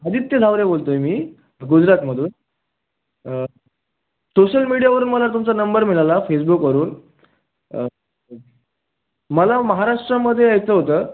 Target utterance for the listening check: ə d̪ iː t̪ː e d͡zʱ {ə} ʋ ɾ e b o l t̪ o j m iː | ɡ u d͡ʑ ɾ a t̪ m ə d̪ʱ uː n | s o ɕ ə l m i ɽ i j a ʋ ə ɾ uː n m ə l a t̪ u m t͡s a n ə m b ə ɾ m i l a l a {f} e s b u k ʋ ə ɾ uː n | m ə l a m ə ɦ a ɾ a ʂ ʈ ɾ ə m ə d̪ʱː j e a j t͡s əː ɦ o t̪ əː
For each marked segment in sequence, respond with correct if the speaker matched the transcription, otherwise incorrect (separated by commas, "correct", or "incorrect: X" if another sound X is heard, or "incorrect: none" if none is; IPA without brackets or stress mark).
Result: incorrect: a, correct